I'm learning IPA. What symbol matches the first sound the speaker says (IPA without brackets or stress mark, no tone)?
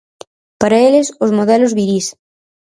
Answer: p